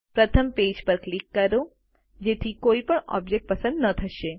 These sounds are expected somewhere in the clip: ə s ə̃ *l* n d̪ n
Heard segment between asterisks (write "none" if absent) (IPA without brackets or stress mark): none